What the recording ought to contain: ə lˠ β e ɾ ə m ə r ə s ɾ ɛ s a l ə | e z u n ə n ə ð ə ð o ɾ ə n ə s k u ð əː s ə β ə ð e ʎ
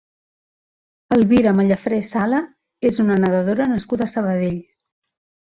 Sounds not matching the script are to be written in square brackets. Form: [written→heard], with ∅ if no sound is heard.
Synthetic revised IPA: ə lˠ β [e→i] ɾ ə m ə [r→ʎ] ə [s→f] ɾ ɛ s a l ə | e z u n ə n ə ð ə ð o ɾ ə n ə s k u ð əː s ə β ə ð e ʎ